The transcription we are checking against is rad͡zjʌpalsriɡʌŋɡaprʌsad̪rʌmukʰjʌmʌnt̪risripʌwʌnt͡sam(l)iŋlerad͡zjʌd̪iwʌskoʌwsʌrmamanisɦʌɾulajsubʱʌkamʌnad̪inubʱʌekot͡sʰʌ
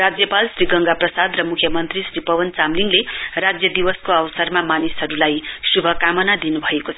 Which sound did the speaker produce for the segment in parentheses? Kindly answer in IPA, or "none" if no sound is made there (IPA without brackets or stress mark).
l